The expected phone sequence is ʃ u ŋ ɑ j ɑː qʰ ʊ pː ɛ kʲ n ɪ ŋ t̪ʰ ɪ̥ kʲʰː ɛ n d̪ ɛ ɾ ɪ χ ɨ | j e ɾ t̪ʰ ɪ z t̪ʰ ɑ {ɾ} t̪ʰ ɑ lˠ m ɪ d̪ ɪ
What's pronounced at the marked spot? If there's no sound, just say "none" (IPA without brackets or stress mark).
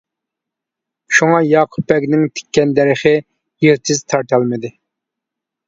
ɾ